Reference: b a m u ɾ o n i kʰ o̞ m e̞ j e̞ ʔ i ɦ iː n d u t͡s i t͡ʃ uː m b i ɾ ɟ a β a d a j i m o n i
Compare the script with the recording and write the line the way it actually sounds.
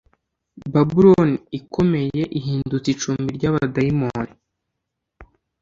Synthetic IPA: b a b u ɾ o n i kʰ o̞ m e̞ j e̞ ʔ i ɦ iː n d u t͡s i t͡ʃ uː m b i ɾ ɟ a β a d a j i m o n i